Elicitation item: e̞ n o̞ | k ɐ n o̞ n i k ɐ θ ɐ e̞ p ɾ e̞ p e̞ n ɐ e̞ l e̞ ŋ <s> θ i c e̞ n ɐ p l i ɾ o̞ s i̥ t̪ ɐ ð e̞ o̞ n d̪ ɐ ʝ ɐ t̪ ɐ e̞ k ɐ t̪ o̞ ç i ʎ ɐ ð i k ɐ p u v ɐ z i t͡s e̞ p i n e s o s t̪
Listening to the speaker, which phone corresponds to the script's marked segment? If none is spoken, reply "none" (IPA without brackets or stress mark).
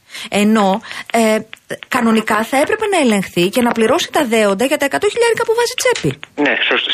x